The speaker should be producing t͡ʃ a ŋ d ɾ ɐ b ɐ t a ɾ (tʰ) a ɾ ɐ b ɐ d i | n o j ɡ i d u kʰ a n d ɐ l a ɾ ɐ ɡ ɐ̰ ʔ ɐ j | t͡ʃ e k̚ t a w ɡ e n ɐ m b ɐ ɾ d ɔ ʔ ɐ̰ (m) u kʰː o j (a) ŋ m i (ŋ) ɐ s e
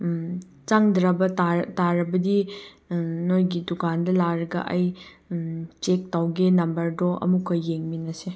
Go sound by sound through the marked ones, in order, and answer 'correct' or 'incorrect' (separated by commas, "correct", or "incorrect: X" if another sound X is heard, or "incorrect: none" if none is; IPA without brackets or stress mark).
incorrect: t, correct, incorrect: e, incorrect: n